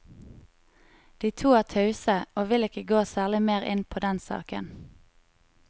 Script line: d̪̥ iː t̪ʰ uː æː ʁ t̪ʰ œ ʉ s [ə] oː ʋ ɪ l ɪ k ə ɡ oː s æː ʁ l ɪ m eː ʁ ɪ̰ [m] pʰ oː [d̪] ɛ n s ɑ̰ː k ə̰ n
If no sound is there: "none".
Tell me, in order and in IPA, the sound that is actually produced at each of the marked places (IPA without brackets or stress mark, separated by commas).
ə, n, d̪